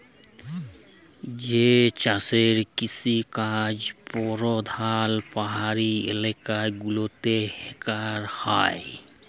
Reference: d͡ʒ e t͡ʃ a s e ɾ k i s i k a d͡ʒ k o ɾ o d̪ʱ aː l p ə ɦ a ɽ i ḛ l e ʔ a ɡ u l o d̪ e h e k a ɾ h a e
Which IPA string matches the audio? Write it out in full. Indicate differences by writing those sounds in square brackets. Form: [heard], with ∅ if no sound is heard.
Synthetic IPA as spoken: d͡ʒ e t͡ʃ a s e ɾ k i s i k a d͡ʒ [p] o ɾ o d̪ʱ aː l p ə ɦ a [ɾ] i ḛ l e [k] a ɡ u l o [t̪] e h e k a ɾ h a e